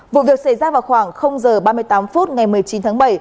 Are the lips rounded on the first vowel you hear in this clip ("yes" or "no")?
yes